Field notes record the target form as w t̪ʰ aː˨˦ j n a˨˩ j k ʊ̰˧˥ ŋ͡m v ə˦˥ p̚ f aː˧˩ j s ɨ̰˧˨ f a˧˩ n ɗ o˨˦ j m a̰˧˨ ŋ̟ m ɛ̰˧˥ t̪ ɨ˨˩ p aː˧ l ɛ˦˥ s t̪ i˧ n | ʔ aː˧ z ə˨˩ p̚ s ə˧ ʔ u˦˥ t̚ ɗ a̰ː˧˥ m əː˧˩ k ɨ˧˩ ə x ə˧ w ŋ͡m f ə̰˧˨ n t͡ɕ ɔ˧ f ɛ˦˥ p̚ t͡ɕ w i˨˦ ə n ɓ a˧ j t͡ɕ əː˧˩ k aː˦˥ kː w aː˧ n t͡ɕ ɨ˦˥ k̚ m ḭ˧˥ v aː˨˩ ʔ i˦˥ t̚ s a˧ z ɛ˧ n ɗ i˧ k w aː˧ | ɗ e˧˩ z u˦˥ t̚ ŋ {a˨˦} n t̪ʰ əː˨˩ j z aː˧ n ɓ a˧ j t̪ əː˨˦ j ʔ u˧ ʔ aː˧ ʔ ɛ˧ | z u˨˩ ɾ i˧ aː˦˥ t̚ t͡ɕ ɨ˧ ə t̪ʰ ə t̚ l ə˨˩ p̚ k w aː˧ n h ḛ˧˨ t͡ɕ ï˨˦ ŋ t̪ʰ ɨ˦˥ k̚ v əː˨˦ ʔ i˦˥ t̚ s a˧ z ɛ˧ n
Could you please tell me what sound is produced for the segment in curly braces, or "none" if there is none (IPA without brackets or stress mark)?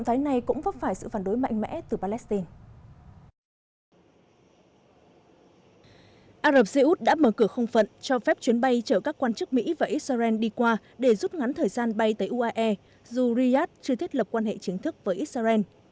a˨˦